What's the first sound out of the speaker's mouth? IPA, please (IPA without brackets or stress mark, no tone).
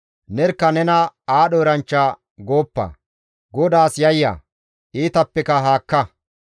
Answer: n